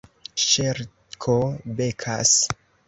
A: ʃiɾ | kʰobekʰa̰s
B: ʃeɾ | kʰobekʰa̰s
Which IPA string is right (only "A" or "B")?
B